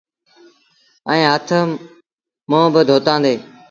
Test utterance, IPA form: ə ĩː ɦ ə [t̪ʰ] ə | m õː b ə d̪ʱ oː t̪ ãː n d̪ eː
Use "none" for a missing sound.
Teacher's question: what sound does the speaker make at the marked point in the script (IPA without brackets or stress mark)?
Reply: t̪ʰ